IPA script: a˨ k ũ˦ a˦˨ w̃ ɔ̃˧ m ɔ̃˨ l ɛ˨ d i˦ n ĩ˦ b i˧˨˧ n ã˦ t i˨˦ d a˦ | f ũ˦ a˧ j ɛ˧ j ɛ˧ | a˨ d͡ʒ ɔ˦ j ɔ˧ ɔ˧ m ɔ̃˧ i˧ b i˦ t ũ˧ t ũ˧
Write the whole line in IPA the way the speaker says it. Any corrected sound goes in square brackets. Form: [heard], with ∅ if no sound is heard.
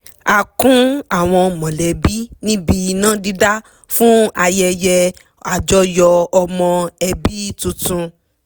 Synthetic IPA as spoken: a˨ k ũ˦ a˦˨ w̃ ɔ̃˧ m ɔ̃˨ l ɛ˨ [b] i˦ n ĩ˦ b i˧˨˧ n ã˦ [d] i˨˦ d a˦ | f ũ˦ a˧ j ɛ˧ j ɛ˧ | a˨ d͡ʒ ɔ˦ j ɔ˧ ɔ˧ m ɔ̃˧ [ɛ˧] b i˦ t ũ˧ t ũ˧